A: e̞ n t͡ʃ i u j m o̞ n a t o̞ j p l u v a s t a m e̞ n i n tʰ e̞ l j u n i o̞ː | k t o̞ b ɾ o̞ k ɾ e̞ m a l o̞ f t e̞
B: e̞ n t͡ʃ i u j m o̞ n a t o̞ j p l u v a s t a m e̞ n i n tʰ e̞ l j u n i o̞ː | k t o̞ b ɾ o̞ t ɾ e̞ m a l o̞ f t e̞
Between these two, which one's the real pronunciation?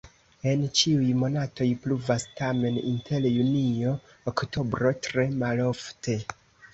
B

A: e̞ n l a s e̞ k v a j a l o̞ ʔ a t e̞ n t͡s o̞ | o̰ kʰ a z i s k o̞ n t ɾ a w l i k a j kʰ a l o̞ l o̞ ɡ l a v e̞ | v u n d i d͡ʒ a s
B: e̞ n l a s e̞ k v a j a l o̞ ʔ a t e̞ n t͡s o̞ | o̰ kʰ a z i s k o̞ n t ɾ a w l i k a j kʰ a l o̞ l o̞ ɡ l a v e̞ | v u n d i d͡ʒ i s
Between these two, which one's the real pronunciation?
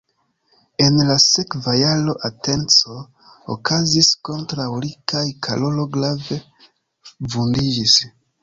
B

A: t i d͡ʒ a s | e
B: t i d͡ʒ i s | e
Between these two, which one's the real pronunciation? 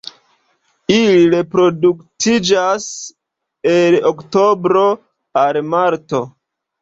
A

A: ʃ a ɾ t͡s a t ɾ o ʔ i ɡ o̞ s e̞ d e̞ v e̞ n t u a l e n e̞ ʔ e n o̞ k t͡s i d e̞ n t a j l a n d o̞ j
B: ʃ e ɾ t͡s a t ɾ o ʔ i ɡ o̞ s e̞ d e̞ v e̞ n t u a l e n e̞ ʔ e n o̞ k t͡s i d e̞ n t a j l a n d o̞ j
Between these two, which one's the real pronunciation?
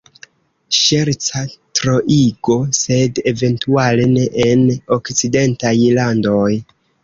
B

